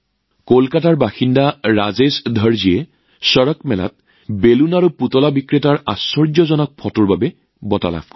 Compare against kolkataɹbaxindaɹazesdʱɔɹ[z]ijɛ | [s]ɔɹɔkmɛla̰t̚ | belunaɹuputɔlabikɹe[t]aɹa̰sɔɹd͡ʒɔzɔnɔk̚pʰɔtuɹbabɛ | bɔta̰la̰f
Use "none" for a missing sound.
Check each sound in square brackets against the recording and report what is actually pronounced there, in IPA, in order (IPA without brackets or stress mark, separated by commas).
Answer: z, s, t